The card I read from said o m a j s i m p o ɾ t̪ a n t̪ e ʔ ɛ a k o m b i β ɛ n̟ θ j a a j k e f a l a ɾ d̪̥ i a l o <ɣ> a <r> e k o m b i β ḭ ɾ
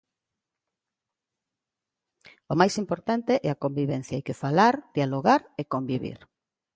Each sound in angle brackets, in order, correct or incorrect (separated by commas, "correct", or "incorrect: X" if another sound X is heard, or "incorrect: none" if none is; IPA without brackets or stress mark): correct, incorrect: ɾ